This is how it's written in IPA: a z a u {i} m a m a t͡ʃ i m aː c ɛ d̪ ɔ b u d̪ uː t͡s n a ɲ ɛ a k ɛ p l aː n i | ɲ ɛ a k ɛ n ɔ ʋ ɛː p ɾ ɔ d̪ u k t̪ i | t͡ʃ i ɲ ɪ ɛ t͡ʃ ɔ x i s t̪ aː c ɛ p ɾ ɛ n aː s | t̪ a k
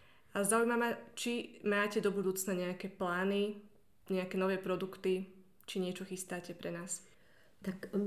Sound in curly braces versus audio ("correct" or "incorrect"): incorrect